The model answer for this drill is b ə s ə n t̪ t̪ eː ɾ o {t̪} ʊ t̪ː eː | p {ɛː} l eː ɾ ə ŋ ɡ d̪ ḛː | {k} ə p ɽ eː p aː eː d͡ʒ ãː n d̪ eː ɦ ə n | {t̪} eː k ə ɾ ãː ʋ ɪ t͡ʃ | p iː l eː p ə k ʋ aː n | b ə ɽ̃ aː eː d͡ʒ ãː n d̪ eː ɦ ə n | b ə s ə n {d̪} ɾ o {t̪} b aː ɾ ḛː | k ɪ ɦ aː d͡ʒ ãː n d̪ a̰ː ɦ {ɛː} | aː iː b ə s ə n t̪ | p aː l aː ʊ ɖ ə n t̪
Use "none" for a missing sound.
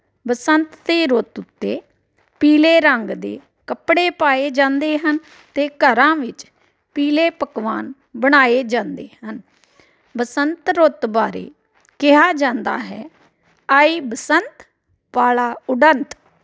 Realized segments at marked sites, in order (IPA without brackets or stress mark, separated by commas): t̪, iː, k, t̪, t̪, t̪, ɛː